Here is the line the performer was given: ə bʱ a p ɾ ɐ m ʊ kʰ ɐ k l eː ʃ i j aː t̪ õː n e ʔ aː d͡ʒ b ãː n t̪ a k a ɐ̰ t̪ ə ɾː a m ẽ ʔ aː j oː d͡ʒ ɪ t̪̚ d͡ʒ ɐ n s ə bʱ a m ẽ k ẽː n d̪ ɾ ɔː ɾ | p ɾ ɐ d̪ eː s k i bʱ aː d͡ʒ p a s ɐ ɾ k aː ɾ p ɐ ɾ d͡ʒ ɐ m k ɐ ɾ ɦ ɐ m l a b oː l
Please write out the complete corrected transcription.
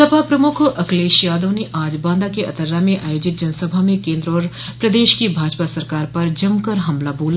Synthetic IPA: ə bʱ a p ɾ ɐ m ʊ kʰ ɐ k l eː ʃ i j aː d̪ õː n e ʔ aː d͡ʒ b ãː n d̪ a k e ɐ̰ t̪ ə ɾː a m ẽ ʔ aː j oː d͡ʒ ɪ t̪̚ d͡ʒ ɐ n s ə bʱ a m ẽ k ẽː n d̪ ɾ ɔː ɾ | p ɾ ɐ d̪ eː ʃ k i bʱ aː d͡ʒ p a s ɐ ɾ k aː ɾ p ɐ ɾ d͡ʒ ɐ m k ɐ ɾ ɦ ɐ m l a b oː l